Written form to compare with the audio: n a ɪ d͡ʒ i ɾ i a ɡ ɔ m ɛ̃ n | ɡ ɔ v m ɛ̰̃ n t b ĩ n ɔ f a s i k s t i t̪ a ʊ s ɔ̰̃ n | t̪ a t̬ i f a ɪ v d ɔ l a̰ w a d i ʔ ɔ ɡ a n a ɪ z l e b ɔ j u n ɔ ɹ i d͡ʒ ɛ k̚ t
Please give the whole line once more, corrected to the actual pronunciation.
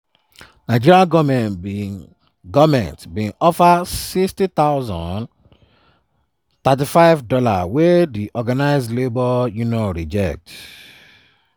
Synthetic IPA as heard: n a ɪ d͡ʒ i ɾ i a ɡ ɔ m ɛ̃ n | ɡ ɔ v m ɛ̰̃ n t b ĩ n ɔ f a s i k s t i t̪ a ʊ z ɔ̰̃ n | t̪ a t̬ i f a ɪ v d ɔ l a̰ w e d i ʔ ɔ ɡ a n a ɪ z l e b ɔ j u n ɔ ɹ i d͡ʒ ɛ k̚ t